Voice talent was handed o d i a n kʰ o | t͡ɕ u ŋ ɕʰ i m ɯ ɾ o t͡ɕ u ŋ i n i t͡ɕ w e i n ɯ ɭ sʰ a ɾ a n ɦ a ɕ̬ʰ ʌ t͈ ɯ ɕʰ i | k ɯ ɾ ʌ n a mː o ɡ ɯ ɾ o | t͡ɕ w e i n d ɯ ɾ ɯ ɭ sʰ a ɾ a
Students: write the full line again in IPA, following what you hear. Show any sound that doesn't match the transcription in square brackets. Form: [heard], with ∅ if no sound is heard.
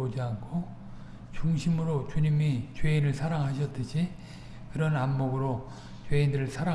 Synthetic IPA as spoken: o [d͡ʑ] i a n kʰ o | t͡ɕ u ŋ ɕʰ i m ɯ ɾ o t͡ɕ u [ɲ] i [m] i t͡ɕ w e i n ɯ ɭ sʰ a ɾ a [ŋ] ɦ a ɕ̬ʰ ʌ t͈ ɯ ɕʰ i | k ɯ ɾ ʌ n a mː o ɡ ɯ ɾ o | t͡ɕ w e i n d ɯ ɾ ɯ ɭ sʰ a ɾ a